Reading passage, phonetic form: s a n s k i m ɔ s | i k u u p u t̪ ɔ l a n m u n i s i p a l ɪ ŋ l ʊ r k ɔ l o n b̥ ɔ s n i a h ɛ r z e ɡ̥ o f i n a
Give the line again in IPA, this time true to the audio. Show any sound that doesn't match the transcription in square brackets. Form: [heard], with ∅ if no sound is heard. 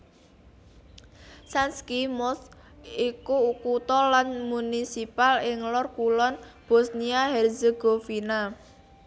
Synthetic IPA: s a n s k i m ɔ s | i k u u [k] u t̪ ɔ l a n m u n i s i p a l ɪ ŋ l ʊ r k [u] l [ɔ] n b̥ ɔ s n i a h ɛ r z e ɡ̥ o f i n a